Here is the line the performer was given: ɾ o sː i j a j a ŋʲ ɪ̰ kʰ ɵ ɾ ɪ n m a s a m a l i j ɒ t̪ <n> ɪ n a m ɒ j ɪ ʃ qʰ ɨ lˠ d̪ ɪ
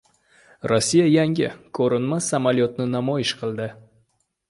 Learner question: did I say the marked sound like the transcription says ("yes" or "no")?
yes